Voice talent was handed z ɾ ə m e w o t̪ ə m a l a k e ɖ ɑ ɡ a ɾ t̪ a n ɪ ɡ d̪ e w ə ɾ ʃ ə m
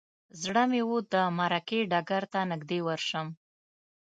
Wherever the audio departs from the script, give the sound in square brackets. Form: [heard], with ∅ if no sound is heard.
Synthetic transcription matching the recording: z [ɽ] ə m e w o [d̪] ə m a [ɾ] a k e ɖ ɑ ɡ a ɾ t̪ a n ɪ ɡ d̪ e w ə ɾ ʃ ə m